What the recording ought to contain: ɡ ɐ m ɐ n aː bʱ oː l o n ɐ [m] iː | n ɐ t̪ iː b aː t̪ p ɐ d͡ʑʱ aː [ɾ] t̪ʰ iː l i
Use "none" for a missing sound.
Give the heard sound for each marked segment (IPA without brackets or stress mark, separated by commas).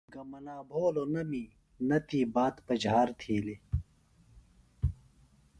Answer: m, ɾ